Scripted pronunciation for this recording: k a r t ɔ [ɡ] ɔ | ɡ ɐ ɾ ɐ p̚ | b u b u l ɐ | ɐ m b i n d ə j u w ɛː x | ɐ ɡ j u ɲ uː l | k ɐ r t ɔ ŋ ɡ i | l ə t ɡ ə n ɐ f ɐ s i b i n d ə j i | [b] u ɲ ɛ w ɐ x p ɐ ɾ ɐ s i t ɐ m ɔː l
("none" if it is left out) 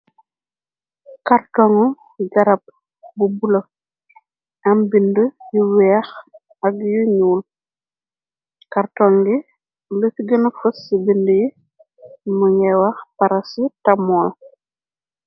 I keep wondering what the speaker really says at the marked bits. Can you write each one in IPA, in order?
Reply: ŋ, m

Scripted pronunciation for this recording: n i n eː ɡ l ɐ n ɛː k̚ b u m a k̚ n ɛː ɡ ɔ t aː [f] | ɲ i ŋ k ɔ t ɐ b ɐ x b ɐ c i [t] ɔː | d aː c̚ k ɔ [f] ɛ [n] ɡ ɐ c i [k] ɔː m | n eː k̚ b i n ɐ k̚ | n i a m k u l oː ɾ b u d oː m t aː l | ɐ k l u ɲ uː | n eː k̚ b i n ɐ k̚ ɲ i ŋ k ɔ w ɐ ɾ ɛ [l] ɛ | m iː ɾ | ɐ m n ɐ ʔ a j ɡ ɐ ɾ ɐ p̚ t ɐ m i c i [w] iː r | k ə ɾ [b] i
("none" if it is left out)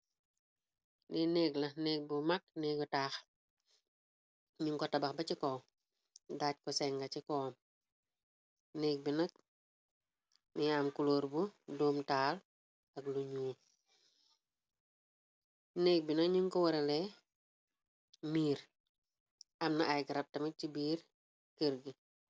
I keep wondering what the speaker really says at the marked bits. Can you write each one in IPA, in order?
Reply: x, k, s, ŋ, k, l, b, ɡ

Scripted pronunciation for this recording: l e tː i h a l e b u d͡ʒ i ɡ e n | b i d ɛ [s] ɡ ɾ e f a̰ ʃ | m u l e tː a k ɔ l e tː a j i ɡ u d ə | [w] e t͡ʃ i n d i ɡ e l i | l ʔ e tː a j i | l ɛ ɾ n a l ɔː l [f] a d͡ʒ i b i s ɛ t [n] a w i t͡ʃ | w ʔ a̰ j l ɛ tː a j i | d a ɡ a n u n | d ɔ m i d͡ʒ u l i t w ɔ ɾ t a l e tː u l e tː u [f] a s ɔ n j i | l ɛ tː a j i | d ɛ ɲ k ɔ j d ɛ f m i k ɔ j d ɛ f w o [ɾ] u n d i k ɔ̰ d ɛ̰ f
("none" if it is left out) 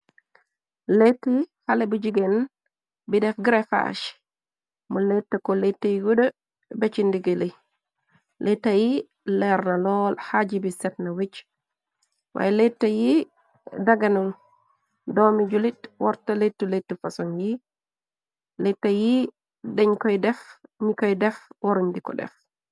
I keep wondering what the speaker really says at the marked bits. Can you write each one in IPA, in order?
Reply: f, b, h, n, f, ɾ

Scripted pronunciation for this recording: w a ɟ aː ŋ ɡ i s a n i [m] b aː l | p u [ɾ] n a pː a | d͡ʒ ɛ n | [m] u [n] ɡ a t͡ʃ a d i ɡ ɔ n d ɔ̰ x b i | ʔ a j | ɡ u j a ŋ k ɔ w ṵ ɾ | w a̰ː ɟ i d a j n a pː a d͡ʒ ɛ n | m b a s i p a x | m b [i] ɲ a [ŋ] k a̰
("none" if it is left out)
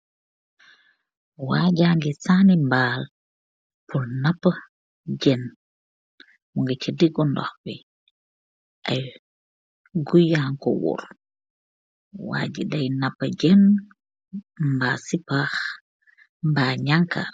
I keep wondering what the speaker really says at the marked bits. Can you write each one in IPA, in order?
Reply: m, l, m, ŋ, a, ŋ

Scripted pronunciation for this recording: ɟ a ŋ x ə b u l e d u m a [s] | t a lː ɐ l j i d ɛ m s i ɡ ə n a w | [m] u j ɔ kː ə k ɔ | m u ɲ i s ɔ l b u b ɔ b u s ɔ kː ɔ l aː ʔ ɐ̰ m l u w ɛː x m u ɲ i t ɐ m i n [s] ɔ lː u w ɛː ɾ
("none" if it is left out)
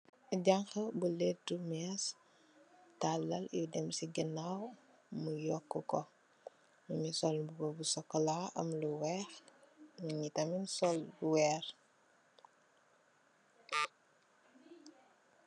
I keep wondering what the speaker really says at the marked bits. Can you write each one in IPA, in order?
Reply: s, m, s

